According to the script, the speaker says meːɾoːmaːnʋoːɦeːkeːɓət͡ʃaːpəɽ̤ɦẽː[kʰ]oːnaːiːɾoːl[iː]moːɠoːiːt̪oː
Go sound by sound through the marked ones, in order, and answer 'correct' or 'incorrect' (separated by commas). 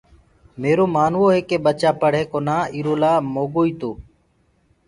incorrect, incorrect